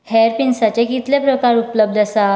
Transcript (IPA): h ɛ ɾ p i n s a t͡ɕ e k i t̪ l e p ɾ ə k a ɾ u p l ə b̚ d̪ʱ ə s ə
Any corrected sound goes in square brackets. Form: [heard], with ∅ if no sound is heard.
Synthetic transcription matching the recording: h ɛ ɾ p i n s a t͡ɕ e k i t̪ l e p ɾ ə k a ɾ u p l ə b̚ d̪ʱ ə s [a]